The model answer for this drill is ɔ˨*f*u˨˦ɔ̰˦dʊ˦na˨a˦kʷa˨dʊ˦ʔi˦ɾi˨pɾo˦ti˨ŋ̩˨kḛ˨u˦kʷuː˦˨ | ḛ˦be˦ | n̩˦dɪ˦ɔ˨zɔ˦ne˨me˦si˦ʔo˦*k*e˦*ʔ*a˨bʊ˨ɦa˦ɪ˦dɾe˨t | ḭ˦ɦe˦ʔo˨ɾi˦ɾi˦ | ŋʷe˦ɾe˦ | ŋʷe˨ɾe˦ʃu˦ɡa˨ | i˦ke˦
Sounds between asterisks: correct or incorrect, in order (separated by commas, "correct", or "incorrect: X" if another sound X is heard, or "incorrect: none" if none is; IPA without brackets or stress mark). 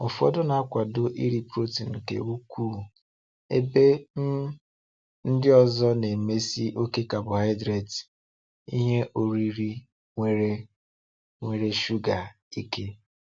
correct, correct, incorrect: k